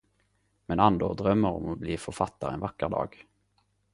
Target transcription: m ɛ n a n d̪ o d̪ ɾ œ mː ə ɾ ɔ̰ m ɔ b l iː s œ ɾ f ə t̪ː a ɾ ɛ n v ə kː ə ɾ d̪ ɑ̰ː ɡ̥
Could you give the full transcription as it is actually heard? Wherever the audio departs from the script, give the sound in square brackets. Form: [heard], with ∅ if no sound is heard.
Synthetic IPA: m ɛ n a n d̪ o d̪ ɾ œ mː ə ɾ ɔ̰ m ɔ b l iː [f] œ ɾ f [a] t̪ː a ɾ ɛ n v [a] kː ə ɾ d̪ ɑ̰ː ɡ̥